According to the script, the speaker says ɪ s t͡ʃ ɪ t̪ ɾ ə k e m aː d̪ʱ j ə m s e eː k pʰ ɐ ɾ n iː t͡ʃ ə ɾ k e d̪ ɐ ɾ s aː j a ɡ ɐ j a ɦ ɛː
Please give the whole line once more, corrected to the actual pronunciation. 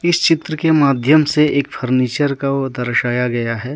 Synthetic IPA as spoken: ɪ s t͡ʃ ɪ t̪ ɾ ə k e m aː d̪ʱ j ə m s e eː k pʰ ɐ ɾ n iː t͡ʃ ə ɾ k a d̪ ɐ ɾ ʃ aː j a ɡ ɐ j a ɦ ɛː

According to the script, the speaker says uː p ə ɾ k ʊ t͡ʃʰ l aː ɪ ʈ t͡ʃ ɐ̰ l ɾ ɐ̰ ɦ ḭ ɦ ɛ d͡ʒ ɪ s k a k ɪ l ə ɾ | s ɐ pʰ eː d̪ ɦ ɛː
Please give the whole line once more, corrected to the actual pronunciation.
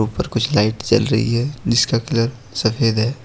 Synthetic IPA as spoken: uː p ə ɾ k ʊ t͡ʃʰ l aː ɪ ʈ t͡ʃ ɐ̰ l ɾ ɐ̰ ɦ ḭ ɦ ɛ d͡ʒ ɪ s k a k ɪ l ə ɾ | s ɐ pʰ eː d̪ ɦ ɛː

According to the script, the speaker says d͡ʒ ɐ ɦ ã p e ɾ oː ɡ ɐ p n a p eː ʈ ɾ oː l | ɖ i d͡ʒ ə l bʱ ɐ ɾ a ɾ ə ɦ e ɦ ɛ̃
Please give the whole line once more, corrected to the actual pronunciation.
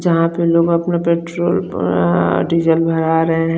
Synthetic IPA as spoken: d͡ʒ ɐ ɦ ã p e l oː ɡ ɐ p n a p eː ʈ ɾ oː l | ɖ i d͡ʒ ə l bʱ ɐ ɾ a ɾ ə ɦ e ɦ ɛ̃

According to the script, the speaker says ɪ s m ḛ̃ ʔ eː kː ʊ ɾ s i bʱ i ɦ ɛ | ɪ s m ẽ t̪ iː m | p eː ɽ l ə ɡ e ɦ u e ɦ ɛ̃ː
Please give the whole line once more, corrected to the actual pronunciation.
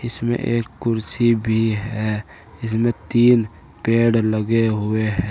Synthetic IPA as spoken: ɪ s m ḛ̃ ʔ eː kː ʊ ɾ s i bʱ i ɦ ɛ | ɪ s m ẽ t̪ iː n | p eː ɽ l ə ɡ e ɦ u e ɦ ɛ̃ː

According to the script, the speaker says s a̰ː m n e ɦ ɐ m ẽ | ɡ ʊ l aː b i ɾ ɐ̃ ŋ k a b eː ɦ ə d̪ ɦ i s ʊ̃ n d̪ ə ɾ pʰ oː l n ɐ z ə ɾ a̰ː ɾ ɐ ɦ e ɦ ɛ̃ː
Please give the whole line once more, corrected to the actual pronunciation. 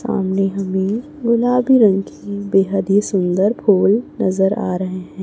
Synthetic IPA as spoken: s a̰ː m n e ɦ ɐ m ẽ | ɡ ʊ l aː b i ɾ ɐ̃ ŋ k i b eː ɦ ə d̪ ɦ i s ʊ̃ n d̪ ə ɾ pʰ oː l n ɐ z ə ɾ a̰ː ɾ ɐ ɦ e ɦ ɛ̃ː

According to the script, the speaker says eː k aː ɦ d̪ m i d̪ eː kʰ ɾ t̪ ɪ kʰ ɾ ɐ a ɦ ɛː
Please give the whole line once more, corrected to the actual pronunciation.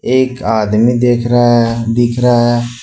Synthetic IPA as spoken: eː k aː d̪ m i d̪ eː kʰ ɾ d̪ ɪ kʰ ɾ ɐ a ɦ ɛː

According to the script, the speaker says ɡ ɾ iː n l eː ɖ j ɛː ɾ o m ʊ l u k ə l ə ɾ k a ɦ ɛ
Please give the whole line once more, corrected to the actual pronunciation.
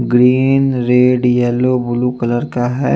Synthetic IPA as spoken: ɡ ɾ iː n ɾ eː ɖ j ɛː l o b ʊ l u k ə l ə ɾ k a ɦ ɛ

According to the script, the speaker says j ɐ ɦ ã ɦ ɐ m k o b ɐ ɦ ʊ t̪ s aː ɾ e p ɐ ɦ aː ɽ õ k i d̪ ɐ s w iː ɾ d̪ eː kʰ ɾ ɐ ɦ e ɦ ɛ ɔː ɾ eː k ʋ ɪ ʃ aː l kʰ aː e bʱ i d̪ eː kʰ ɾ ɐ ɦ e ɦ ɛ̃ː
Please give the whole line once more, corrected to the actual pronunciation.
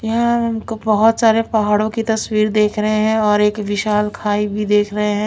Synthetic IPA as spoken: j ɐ ɦ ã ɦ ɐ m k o b ɐ ɦ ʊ t̪ s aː ɾ e p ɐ ɦ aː ɽ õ k i t̪ ɐ s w iː ɾ d̪ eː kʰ ɾ ɐ ɦ e ɦ ɛ̃ ɔː ɾ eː k ʋ ɪ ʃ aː l kʰ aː i bʱ i d̪ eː kʰ ɾ ɐ ɦ e ɦ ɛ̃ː

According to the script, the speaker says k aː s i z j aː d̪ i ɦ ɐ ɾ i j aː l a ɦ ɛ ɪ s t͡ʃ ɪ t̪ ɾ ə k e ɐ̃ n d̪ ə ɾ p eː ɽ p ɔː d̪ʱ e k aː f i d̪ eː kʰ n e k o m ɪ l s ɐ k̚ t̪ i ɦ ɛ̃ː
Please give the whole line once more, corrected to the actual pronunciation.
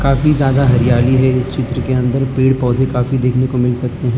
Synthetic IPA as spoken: k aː f i z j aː d̪ a ɦ ɐ ɾ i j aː l i ɦ ɛ ɪ s t͡ʃ ɪ t̪ ɾ ə k e ɐ̃ n d̪ ə ɾ p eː ɽ p ɔː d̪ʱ e k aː f i d̪ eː kʰ n e k o m ɪ l s ɐ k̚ t̪ e ɦ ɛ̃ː

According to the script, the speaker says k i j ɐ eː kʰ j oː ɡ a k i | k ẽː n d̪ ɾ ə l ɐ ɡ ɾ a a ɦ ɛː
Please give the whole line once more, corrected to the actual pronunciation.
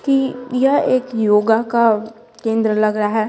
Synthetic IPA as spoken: k i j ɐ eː k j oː ɡ a k a | k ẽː n d̪ ɾ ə l ɐ ɡ ɾ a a ɦ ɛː

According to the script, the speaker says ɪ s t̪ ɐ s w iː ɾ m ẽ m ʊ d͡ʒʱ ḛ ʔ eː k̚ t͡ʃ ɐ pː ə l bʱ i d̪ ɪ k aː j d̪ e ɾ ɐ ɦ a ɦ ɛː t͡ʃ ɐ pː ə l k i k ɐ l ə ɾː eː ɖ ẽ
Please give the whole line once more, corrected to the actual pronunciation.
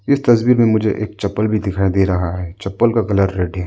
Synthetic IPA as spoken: ɪ s t̪ ɐ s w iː ɾ m ẽ m ʊ d͡ʒʱ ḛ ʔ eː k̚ t͡ʃ ɐ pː ə l bʱ i d̪ ɪ kʰ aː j d̪ e ɾ ɐ ɦ a ɦ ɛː t͡ʃ ɐ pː ə l k a k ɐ l ə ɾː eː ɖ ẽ

